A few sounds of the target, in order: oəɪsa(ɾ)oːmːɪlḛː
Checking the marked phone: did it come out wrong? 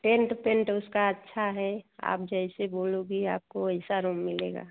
no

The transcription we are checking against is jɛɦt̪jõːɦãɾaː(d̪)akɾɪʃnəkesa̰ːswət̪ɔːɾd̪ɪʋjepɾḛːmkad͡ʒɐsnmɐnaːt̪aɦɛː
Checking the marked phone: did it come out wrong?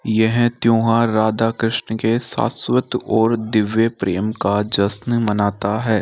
no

